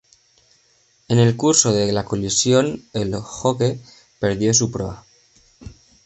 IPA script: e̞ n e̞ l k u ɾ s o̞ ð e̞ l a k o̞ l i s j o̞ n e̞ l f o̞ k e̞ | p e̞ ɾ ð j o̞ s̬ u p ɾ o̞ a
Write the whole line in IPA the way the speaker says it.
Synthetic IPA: e̞ n e̞ l k u ɾ s o̞ ð e̞ l a k o̞ l i s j o̞ n e̞ l x o̞ k e̞ | p e̞ ɾ ð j o̞ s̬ u p ɾ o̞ a